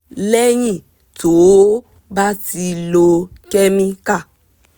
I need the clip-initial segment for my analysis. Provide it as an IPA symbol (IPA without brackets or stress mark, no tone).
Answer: l